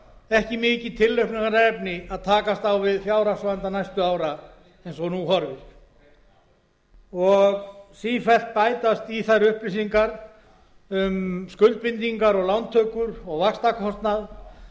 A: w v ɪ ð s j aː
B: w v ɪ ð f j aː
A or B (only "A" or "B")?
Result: B